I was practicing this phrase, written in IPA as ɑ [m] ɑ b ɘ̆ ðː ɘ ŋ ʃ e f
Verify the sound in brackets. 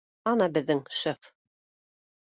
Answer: incorrect: n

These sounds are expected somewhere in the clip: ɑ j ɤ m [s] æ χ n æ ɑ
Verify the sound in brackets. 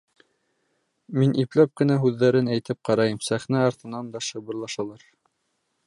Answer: correct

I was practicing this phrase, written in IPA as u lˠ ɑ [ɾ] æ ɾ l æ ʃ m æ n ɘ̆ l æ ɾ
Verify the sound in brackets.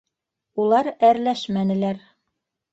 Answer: correct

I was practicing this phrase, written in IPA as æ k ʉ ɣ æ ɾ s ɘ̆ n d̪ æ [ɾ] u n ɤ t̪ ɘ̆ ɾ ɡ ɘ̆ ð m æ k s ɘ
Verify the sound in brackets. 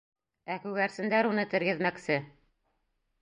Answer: correct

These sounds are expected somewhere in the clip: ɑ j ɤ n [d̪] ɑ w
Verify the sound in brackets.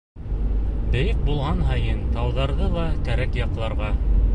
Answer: incorrect: t̪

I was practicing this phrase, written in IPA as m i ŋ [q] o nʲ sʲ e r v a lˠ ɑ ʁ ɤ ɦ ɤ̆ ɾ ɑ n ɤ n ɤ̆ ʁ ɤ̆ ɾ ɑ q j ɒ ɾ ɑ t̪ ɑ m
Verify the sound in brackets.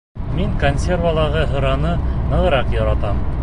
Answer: incorrect: k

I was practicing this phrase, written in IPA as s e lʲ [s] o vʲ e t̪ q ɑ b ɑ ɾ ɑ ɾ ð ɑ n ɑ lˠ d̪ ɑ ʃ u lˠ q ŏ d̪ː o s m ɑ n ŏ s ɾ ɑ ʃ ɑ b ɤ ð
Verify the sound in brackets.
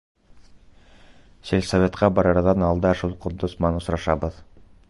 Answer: correct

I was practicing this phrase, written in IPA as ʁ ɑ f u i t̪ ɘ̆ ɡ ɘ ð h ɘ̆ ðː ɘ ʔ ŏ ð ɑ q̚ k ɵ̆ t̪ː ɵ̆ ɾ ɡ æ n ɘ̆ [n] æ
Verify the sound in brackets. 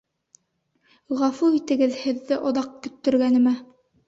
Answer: incorrect: m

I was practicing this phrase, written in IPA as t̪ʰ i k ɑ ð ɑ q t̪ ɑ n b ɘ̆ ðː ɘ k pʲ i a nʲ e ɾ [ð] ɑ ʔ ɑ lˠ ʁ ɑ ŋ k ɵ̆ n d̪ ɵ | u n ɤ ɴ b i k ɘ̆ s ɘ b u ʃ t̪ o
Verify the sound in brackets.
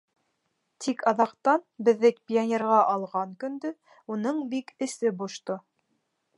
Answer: incorrect: ʁ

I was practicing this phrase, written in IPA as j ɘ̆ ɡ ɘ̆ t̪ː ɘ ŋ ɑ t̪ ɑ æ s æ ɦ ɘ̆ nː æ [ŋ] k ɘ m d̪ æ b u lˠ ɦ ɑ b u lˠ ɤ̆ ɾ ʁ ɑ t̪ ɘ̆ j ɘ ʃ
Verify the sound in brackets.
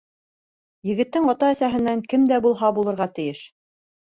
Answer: correct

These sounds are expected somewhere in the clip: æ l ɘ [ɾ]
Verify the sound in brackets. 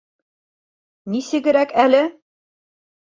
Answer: incorrect: none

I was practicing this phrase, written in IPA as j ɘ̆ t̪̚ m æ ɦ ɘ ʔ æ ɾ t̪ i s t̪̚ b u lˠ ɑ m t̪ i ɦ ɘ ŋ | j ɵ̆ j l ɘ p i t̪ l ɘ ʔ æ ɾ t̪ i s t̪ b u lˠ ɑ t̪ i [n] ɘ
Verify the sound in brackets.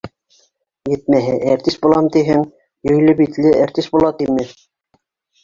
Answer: incorrect: m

